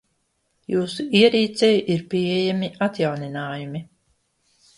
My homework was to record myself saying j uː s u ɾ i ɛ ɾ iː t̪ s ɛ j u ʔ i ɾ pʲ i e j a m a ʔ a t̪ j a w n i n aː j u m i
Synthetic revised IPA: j uː s u i ɛ ɾ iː t̪ s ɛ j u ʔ i ɾ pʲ i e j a m i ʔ a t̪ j a w n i n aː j u m i